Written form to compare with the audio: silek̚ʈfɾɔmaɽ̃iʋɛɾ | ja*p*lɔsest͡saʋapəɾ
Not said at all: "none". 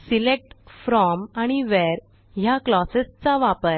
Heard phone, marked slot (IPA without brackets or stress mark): k